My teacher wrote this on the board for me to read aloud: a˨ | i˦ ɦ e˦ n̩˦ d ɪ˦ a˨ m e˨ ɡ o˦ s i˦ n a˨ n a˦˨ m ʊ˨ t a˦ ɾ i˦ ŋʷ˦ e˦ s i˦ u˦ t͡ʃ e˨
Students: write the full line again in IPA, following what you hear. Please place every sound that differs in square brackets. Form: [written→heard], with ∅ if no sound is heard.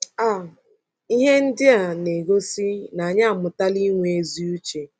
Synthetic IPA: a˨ | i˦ ɦ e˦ n̩˦ d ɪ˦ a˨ [m→n] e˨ ɡ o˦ s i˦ n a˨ [n→ɲ] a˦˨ m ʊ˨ t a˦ [ɾ→l] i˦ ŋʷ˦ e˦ [s→z] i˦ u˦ t͡ʃ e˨